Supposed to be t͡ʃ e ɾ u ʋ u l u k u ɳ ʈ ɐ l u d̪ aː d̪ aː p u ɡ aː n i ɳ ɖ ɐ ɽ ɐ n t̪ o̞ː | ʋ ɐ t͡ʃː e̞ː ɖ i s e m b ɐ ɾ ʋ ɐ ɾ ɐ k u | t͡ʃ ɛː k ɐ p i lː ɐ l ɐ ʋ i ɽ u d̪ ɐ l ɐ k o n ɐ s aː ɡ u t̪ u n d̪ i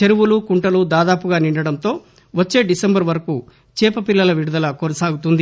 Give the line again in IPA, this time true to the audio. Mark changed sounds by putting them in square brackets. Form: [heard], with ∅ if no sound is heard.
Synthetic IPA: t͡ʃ e ɾ u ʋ u l u k u ɳ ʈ ɐ l u d̪ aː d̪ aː p u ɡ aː n i ɳ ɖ ɐ ɽ ɐ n t̪ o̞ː | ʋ ɐ t͡ʃː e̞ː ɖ i s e m b ɐ ɾ ʋ ɐ ɾ ɐ k u | t͡ʃ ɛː [p] ɐ p i lː ɐ l ɐ ʋ i ɽ u d̪ ɐ l ɐ k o n ɐ s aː ɡ u t̪ u n d̪ i